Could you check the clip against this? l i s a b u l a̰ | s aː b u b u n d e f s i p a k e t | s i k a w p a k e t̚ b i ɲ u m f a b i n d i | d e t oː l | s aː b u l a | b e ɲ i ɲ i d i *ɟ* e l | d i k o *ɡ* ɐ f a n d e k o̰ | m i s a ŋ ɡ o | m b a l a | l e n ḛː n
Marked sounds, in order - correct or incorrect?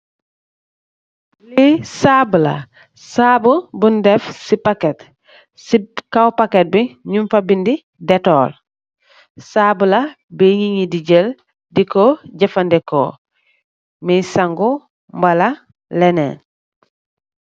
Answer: correct, incorrect

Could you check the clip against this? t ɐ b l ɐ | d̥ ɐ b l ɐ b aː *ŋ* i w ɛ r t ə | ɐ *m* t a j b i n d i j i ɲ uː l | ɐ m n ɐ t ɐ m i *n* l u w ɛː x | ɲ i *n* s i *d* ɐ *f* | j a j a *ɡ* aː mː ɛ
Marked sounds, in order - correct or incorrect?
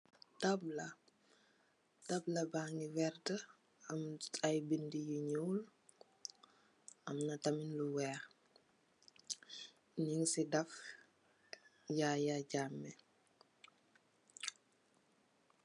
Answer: correct, correct, correct, incorrect, correct, correct, incorrect

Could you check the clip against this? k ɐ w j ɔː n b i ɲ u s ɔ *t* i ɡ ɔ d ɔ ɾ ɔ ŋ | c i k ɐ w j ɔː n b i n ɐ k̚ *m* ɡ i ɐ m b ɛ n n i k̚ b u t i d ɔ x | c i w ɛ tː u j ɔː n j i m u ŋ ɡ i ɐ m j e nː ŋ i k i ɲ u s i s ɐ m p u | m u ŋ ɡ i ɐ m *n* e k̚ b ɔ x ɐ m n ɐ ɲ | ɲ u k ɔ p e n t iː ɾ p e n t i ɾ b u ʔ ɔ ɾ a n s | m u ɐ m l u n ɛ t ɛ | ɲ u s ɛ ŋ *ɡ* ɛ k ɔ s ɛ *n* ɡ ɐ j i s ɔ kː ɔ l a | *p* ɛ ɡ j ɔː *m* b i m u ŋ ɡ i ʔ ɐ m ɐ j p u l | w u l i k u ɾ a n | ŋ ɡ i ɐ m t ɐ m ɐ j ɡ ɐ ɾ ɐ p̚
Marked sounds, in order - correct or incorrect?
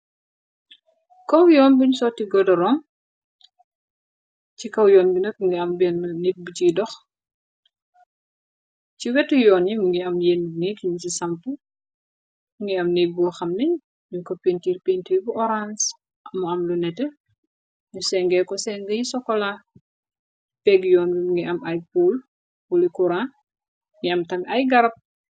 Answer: correct, incorrect, correct, correct, incorrect, correct, incorrect

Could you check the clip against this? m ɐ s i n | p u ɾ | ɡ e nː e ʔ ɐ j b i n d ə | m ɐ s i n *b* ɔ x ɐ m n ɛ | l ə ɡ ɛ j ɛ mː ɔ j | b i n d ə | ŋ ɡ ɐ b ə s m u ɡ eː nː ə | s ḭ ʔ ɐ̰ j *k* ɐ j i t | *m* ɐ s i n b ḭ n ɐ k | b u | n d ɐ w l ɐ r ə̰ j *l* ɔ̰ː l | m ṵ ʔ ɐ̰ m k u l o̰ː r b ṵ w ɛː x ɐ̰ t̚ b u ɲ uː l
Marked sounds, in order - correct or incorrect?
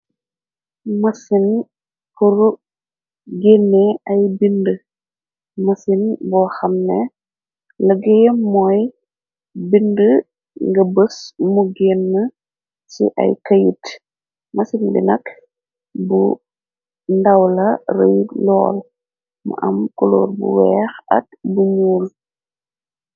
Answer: correct, correct, correct, correct

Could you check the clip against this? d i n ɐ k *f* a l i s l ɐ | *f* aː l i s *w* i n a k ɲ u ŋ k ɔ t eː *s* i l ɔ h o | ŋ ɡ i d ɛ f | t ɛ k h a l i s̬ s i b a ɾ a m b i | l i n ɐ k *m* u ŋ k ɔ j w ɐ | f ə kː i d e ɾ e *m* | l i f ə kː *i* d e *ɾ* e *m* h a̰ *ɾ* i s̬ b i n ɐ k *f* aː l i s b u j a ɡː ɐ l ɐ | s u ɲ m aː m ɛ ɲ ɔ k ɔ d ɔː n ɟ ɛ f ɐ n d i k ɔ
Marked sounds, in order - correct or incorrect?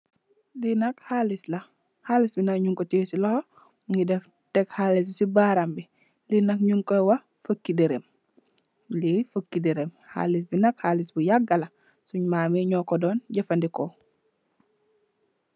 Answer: incorrect, incorrect, incorrect, correct, incorrect, correct, correct, correct, correct, incorrect, incorrect

